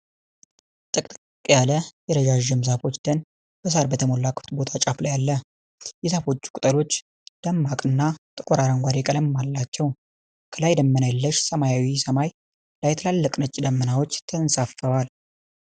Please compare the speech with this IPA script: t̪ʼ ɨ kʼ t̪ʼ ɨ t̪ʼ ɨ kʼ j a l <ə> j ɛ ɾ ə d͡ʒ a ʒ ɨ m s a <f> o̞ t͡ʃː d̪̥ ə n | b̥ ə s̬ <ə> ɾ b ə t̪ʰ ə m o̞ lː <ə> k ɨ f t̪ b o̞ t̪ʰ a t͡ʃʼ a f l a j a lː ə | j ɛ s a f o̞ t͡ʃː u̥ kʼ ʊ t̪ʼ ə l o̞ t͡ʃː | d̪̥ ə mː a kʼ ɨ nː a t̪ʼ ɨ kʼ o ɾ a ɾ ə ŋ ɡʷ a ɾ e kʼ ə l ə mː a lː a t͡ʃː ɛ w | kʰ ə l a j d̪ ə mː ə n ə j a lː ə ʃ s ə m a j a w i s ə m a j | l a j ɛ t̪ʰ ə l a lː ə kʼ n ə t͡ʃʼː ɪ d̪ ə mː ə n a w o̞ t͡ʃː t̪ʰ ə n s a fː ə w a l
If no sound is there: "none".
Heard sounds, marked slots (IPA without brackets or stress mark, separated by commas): ə, f, a, a